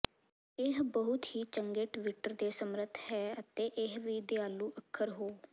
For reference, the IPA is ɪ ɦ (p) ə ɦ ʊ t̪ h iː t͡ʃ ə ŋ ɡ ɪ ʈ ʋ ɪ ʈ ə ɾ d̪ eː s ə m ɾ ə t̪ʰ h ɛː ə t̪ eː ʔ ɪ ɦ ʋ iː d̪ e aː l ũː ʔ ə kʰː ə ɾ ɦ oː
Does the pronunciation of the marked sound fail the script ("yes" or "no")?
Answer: yes